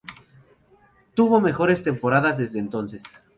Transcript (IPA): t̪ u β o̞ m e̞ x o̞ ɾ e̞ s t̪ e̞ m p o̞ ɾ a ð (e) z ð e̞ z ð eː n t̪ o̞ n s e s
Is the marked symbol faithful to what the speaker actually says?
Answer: no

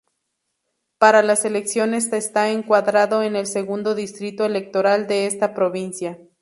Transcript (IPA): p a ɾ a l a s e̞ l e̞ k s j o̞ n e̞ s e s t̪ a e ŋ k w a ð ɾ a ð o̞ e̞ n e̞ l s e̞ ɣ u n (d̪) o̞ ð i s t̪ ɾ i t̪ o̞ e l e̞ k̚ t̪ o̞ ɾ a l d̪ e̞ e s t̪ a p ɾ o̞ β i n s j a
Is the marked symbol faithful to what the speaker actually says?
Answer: yes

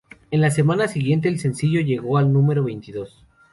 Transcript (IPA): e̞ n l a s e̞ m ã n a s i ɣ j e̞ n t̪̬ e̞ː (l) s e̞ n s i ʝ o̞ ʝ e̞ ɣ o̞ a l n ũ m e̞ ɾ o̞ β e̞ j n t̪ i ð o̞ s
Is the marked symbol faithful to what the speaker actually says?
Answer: yes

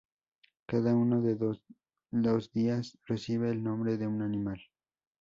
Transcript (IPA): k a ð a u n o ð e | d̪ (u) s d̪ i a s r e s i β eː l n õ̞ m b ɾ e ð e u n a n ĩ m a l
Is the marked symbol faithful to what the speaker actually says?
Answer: no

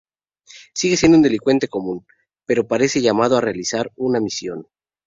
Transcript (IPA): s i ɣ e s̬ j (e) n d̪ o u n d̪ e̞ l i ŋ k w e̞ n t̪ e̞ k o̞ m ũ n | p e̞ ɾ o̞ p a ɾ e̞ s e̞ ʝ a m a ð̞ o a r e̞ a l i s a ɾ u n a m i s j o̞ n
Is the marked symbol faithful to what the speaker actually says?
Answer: yes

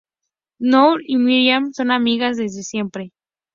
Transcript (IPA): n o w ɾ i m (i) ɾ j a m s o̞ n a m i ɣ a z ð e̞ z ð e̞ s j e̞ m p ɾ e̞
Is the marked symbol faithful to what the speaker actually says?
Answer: yes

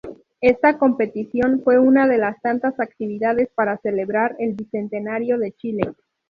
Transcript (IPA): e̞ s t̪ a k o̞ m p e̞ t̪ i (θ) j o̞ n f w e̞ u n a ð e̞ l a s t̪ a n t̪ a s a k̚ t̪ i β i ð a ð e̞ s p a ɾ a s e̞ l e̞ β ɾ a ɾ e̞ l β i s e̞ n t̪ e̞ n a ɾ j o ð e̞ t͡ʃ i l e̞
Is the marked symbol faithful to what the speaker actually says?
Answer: no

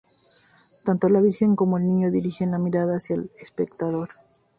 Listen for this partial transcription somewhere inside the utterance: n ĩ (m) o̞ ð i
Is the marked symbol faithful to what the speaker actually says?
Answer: no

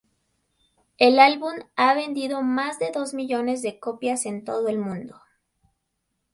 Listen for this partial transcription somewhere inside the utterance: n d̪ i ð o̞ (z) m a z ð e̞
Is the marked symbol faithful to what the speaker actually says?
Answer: no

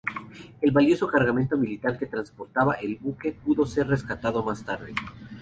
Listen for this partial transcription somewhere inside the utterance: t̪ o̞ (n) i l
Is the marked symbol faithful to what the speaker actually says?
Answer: no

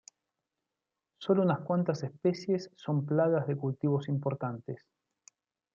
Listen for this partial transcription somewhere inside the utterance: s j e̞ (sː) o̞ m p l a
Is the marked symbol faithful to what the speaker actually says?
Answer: yes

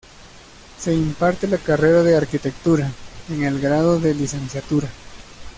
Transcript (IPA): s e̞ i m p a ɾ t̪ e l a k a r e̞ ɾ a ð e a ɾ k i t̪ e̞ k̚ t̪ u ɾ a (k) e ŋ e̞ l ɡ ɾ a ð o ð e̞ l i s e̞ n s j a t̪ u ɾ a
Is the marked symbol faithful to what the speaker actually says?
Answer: no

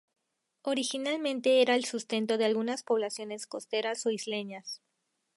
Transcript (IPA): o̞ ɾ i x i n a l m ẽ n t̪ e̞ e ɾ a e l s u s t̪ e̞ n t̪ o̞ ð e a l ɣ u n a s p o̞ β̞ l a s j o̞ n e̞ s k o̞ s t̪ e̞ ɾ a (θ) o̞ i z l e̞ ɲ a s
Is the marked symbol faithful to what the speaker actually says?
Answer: no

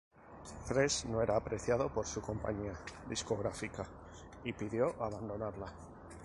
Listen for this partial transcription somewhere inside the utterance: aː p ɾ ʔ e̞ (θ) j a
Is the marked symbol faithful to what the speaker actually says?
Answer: yes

